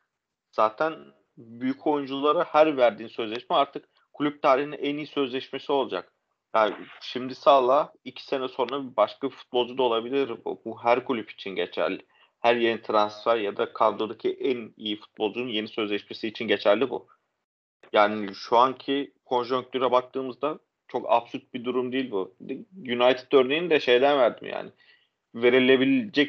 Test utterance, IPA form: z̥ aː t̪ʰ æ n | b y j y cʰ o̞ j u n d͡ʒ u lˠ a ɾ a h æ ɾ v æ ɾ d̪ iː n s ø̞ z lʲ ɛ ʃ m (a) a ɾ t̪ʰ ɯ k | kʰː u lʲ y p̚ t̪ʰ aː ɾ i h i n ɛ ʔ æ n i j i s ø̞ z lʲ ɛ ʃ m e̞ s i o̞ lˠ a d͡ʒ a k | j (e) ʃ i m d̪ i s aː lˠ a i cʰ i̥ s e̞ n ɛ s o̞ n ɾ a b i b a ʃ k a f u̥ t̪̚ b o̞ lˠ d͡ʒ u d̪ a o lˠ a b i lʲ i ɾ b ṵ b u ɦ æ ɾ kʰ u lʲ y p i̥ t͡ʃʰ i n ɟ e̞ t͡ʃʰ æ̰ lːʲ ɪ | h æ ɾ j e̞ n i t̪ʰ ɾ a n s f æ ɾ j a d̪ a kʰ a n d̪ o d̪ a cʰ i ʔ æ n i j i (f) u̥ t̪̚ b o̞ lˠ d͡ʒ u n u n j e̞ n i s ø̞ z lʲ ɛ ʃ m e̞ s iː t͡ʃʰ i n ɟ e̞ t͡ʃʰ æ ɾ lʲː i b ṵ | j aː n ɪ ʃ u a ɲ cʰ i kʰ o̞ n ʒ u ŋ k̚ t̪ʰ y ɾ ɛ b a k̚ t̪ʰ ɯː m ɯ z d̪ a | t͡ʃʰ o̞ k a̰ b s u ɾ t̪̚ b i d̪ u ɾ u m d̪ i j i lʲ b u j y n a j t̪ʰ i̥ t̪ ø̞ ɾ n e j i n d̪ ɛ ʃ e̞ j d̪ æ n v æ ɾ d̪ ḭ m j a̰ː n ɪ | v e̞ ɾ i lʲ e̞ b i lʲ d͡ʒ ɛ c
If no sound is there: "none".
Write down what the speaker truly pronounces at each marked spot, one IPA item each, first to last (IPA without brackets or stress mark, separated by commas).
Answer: ɛ, a, f